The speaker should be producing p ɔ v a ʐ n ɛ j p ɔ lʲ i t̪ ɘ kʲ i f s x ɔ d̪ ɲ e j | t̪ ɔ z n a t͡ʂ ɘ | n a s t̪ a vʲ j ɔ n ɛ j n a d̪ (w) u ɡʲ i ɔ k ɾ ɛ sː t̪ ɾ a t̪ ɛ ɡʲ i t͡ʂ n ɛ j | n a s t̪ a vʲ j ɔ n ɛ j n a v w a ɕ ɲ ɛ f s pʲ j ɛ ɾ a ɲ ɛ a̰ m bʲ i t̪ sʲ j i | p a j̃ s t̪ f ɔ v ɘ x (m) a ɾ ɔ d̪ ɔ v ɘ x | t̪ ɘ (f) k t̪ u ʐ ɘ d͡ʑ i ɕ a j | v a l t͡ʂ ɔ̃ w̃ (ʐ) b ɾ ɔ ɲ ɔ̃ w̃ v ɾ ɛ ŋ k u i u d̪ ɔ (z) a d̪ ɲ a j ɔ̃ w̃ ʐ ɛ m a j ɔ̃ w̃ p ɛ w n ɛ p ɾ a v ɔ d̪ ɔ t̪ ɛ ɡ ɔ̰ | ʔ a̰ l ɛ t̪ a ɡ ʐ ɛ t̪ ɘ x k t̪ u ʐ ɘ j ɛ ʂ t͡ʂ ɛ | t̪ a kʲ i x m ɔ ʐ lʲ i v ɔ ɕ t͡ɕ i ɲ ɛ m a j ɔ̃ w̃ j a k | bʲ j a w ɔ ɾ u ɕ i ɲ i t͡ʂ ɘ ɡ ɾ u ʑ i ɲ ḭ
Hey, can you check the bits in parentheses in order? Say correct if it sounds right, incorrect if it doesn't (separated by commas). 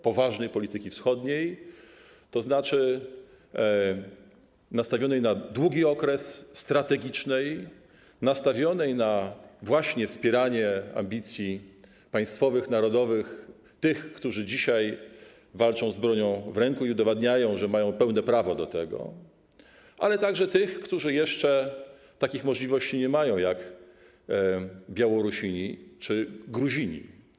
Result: correct, incorrect, incorrect, incorrect, incorrect